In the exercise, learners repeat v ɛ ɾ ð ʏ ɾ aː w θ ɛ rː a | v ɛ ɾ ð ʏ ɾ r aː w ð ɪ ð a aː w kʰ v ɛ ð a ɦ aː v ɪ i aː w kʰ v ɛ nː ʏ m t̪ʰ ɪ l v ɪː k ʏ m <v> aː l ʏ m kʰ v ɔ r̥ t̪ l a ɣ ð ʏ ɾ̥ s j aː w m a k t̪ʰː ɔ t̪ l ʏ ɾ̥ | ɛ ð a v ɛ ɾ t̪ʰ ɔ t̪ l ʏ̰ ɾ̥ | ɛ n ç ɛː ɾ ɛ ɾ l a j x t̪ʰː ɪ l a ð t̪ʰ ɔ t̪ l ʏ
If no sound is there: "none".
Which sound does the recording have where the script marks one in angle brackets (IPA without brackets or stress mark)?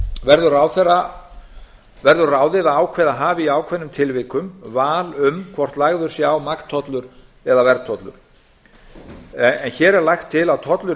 v